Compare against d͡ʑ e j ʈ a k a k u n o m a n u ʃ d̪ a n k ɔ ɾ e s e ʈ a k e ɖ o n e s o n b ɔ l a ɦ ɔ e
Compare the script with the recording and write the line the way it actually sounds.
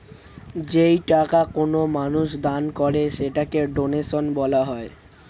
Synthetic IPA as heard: d͡ʑ e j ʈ a k a k o n o m a n u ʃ d̪ a n k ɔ ɾ e ʃ e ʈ a k e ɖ o n e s o n b ɔ l a ɦ ɔ e